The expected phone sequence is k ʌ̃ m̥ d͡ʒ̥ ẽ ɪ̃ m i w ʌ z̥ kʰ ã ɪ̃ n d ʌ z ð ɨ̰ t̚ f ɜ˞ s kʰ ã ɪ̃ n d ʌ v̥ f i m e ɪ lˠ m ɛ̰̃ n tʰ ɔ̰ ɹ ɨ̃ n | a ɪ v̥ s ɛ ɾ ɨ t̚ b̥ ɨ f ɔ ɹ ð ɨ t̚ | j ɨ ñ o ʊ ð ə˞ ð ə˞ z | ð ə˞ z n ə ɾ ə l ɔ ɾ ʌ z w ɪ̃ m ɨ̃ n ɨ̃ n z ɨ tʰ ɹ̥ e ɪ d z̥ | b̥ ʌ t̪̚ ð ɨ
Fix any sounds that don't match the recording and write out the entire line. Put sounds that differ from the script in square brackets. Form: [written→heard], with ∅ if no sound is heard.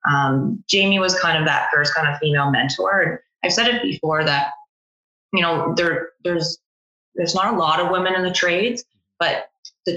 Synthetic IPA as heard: [k→ʔ] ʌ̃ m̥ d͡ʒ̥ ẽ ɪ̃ m i w ʌ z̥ kʰ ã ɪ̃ n d ʌ [z→v] ð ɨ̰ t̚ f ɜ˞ s kʰ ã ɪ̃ n d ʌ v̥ f i m e ɪ lˠ m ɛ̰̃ n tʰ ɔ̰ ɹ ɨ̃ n | a ɪ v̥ s ɛ ɾ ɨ t̚ b̥ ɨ f ɔ ɹ ð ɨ t̚ | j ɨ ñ o ʊ ð ə˞ ð ə˞ z | ð ə˞ z n ə ɾ ə l ɔ ɾ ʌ [z→v] w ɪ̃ m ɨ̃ n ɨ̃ n [z→ð] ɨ tʰ ɹ̥ e ɪ d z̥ | b̥ ʌ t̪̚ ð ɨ